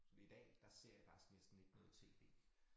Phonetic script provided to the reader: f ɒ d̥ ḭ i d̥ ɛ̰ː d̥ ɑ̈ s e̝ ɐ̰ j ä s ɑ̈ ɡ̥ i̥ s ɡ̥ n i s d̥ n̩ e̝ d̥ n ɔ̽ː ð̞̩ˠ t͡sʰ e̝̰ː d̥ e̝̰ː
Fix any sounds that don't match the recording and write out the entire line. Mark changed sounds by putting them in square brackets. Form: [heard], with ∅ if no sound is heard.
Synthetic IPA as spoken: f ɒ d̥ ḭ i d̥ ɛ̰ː d̥ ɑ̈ s e̝ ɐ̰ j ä [f] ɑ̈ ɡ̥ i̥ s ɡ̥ n [e] s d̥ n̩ e̝ [ɡ̥] n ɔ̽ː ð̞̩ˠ t͡sʰ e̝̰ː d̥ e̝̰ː